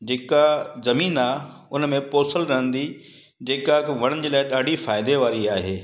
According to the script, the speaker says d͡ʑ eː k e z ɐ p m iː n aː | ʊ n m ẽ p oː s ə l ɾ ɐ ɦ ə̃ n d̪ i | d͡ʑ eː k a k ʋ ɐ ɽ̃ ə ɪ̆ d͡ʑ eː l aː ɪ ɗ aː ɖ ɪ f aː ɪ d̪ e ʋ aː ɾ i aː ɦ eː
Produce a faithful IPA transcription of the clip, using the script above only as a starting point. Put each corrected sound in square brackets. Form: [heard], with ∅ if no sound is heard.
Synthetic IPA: d͡ʑ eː k [a] z ɐ [∅] m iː n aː | ʊ n m ẽ p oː s ə l ɾ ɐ ɦ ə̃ n d̪ i | d͡ʑ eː k a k ʋ ɐ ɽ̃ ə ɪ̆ d͡ʑ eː l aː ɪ ɗ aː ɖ [i] f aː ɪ d̪ e ʋ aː ɾ i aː ɦ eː